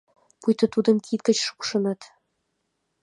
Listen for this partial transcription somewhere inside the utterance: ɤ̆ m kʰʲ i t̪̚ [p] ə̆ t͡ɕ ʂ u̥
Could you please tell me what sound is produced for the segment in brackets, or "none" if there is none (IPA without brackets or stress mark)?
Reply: k